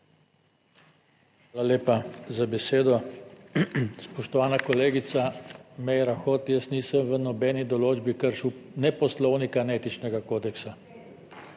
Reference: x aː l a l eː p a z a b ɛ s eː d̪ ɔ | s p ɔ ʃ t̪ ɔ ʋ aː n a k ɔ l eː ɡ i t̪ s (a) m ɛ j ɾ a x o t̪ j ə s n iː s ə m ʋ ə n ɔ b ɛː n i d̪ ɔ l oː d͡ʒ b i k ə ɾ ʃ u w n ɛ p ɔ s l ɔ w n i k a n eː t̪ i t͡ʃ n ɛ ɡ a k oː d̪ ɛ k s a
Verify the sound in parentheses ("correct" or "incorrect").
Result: correct